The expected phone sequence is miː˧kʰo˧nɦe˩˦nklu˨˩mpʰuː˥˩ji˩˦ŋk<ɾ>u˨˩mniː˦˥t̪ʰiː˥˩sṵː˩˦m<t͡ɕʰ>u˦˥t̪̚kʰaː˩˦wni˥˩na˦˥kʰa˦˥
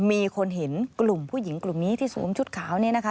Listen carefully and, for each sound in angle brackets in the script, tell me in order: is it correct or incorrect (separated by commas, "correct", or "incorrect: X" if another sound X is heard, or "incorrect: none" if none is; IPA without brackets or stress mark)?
incorrect: l, correct